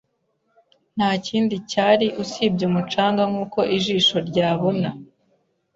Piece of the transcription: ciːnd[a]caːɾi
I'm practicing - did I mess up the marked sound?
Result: yes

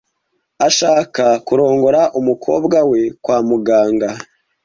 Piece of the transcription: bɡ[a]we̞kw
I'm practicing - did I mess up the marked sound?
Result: no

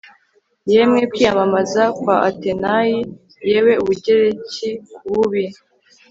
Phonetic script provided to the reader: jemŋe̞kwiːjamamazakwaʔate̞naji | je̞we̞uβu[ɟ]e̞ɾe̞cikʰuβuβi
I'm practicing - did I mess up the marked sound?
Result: no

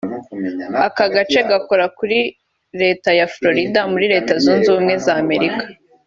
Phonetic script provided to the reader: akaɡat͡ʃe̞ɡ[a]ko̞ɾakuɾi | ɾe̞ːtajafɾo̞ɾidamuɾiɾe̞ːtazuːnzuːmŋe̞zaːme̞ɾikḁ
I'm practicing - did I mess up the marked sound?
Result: no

